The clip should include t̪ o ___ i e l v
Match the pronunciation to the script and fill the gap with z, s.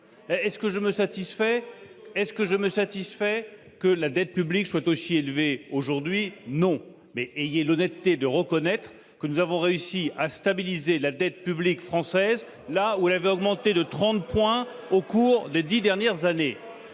s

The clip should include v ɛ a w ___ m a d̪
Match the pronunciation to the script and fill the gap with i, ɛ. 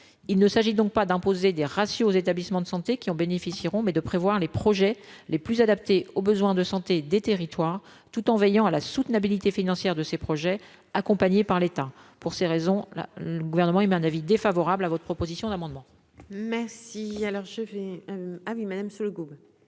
i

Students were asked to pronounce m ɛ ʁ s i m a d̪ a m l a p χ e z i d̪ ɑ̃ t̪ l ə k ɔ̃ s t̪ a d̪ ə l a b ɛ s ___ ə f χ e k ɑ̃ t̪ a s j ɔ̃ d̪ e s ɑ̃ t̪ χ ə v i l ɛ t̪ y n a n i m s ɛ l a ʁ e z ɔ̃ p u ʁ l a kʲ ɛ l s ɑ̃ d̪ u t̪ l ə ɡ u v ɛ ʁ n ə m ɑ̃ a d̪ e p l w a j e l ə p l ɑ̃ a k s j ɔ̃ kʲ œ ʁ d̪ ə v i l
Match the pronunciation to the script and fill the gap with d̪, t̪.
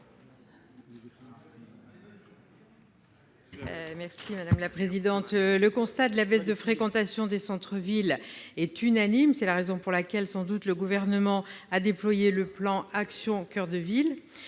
d̪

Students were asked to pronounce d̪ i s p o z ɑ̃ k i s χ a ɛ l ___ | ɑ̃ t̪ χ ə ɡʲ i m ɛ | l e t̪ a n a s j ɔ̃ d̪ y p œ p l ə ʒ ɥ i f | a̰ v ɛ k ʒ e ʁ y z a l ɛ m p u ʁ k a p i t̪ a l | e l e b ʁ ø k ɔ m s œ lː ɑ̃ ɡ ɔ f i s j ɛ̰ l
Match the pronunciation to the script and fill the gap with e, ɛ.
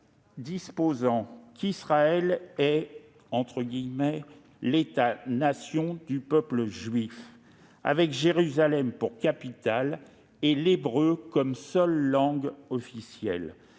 ɛ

